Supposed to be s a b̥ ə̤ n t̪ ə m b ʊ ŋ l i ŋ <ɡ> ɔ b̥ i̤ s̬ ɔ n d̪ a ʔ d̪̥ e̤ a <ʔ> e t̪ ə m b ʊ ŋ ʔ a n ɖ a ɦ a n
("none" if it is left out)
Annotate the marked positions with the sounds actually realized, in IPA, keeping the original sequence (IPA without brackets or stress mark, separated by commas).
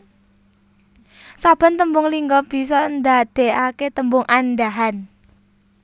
ɡ, k